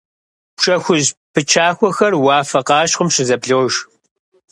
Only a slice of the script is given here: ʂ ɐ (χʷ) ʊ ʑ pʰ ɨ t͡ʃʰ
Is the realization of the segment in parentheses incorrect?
yes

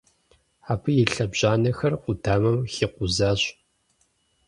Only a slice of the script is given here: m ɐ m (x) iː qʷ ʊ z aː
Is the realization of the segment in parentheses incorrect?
no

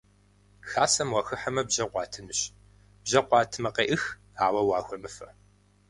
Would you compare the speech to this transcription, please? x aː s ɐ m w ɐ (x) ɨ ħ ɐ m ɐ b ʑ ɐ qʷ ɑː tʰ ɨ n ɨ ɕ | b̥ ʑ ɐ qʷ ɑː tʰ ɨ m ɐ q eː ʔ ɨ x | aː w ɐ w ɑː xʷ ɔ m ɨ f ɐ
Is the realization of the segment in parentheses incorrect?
no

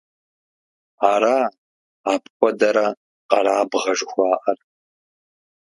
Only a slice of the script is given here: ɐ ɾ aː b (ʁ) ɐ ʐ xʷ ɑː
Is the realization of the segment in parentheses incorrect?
no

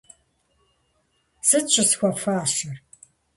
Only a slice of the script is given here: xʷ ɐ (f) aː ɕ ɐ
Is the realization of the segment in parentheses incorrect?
no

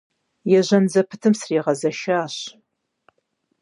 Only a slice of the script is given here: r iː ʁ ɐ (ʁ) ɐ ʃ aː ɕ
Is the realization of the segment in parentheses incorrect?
yes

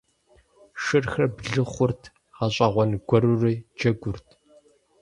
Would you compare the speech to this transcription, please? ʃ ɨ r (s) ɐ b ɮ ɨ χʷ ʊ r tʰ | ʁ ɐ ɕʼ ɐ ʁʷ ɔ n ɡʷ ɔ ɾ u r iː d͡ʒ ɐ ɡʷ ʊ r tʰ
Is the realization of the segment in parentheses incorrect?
yes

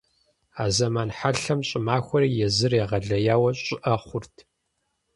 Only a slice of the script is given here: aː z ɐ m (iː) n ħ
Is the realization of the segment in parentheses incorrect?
yes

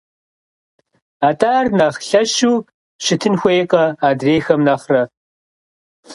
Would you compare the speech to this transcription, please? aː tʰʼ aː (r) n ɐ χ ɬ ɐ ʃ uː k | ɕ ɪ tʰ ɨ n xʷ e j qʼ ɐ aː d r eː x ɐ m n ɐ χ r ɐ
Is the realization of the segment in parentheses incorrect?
no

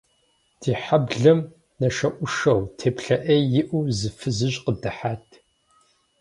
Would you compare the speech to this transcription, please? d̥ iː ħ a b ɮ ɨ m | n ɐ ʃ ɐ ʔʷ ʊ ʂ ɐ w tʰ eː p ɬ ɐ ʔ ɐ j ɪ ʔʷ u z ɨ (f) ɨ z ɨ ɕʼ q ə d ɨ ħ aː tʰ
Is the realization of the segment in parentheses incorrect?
no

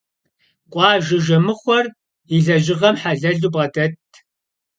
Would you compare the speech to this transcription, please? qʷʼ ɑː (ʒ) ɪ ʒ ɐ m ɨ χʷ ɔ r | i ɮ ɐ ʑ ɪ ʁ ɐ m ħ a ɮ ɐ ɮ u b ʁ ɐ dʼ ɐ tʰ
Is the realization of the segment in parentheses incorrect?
no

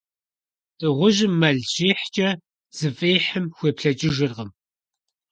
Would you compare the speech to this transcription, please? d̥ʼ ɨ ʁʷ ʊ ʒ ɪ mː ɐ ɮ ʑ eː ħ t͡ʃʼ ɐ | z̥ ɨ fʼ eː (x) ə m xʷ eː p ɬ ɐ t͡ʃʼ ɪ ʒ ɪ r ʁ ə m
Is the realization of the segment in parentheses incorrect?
yes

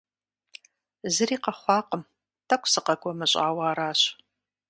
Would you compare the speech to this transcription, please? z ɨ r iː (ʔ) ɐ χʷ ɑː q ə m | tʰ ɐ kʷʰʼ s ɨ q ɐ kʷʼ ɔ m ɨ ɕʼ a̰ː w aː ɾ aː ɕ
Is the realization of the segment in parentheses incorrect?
yes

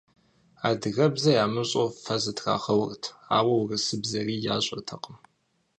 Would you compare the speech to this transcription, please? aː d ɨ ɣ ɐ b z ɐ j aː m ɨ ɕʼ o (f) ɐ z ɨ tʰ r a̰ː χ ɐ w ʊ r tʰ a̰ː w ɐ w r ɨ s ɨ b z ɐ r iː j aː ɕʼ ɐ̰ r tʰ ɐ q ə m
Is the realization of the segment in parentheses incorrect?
no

